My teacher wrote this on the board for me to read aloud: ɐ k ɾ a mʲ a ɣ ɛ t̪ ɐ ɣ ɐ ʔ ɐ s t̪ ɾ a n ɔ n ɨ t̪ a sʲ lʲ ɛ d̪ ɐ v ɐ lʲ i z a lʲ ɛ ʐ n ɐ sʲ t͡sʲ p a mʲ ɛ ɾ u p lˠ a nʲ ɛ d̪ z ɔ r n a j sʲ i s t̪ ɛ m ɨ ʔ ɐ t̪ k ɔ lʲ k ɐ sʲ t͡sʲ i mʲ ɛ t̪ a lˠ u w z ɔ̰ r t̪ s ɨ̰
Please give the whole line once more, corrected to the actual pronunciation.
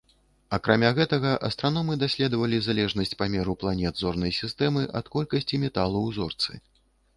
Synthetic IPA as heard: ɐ k ɾ a mʲ a ɣ ɛ t̪ ɐ ɣ ɐ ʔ ɐ s t̪ ɾ a n ɔ m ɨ d̪ a sʲ lʲ ɛ d̪ ɐ v ɐ lʲ i z a lʲ ɛ ʐ n ɐ sʲ t͡sʲ p a mʲ ɛ ɾ u p lˠ a nʲ ɛ d̪ z ɔ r n ɐ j sʲ i s t̪ ɛ m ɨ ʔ ɐ t̪ k ɔ lʲ k ɐ sʲ t͡sʲ i mʲ ɛ t̪ a lˠ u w z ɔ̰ r t̪ s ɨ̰